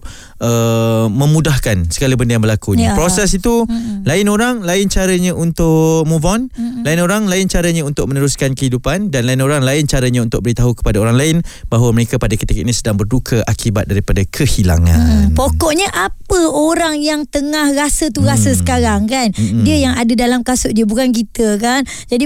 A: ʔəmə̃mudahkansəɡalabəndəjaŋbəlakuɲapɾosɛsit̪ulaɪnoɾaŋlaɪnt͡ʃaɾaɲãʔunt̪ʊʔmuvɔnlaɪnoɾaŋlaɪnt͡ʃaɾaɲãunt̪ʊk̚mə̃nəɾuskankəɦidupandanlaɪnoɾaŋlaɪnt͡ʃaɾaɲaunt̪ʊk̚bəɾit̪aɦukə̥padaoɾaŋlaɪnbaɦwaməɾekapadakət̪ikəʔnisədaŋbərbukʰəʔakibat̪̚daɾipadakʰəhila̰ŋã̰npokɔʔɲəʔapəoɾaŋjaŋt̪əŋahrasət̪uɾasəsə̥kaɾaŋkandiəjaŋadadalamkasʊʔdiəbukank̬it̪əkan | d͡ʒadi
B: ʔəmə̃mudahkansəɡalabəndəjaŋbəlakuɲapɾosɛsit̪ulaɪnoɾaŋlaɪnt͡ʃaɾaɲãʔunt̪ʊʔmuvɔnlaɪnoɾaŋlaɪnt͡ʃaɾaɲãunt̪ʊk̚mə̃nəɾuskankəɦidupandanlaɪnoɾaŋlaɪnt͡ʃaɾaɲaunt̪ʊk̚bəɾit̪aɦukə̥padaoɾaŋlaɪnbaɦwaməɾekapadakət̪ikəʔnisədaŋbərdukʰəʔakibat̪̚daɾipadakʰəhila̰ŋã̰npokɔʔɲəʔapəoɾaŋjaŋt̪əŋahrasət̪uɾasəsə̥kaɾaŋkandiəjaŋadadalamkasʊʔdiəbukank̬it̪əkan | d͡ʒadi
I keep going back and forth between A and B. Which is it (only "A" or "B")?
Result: B